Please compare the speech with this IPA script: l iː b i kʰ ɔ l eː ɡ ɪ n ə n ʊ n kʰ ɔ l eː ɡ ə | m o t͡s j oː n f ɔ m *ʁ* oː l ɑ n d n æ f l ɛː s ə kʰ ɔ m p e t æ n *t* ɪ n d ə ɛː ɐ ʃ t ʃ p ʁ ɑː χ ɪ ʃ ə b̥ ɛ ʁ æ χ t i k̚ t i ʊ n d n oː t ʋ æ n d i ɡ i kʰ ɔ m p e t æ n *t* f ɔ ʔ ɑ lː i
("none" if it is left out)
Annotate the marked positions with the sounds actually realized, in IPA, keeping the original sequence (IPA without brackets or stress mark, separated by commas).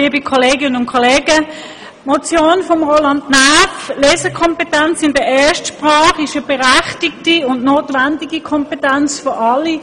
ʁ, t͡s, t͡s